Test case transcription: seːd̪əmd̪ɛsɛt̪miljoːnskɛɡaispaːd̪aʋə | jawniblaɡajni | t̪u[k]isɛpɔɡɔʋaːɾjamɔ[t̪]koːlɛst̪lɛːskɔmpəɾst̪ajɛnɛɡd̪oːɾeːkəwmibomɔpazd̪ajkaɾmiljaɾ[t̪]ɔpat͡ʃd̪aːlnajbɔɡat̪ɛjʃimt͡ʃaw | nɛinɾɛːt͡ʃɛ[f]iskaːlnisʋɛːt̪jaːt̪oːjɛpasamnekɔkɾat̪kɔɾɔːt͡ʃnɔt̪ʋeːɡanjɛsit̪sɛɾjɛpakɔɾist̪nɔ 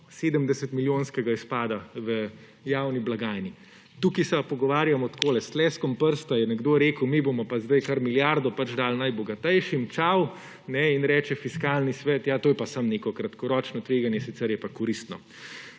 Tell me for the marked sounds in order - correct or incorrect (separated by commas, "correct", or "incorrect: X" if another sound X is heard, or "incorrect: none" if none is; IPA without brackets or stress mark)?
correct, correct, incorrect: d̪, correct